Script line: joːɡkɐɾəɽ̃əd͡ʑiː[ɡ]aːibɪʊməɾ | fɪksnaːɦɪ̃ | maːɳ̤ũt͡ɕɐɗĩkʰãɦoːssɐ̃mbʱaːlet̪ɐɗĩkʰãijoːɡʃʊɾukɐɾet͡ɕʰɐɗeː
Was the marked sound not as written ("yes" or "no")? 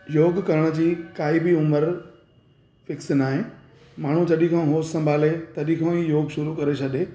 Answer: yes